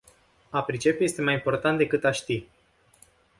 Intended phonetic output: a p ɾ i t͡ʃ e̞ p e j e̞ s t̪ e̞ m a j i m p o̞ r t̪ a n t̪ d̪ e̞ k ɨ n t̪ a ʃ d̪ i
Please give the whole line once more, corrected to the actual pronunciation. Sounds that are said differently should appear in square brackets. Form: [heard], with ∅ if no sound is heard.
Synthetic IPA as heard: a p ɾ i t͡ʃ e̞ p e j e̞ s t̪ e̞ m a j i m p o̞ r t̪ a n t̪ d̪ e̞ k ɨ [∅] t̪ a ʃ [t̪] i